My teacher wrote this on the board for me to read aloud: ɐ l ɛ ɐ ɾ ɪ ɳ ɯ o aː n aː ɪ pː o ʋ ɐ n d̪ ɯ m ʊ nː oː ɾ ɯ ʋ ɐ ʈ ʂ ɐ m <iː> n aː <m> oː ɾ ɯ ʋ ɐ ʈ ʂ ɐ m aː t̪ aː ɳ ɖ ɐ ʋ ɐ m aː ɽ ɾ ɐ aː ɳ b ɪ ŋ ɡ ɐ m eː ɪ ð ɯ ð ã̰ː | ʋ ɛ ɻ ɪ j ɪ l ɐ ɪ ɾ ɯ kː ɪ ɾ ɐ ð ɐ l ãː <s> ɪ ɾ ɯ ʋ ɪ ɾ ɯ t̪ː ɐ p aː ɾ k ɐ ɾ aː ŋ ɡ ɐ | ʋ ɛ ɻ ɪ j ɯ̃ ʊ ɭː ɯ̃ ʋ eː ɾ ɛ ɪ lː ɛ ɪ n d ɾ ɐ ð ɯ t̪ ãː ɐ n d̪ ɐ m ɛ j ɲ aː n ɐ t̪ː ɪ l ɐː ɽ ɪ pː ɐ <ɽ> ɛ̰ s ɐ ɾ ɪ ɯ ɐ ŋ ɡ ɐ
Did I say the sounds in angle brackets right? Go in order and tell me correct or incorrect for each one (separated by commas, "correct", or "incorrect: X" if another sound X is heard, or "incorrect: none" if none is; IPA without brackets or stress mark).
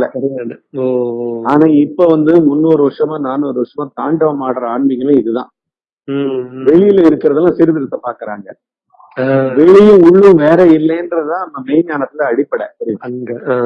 incorrect: aː, incorrect: n, correct, correct